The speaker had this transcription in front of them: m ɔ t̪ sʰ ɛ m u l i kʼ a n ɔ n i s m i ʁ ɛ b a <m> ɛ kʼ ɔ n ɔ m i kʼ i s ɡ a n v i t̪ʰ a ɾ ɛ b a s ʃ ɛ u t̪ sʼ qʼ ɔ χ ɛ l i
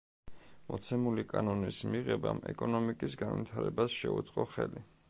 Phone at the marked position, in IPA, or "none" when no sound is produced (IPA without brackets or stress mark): m